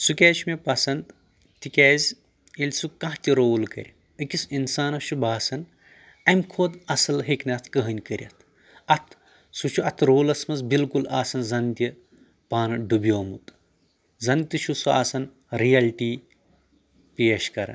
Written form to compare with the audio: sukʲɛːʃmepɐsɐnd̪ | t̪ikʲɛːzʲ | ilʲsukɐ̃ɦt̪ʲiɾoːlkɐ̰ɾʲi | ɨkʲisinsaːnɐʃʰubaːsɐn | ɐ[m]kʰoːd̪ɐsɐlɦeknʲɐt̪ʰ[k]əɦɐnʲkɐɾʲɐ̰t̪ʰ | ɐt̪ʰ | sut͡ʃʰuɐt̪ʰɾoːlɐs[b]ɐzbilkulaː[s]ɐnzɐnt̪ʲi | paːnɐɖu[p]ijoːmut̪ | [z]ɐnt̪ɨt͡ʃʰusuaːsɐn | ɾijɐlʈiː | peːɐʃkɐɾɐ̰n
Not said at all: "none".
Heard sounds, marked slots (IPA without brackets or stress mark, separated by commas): m, k, m, s, b, z